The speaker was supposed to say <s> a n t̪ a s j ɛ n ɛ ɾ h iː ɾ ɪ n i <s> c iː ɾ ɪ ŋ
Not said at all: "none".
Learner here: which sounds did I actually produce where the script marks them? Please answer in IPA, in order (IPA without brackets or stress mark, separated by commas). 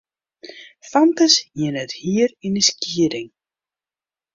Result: f, s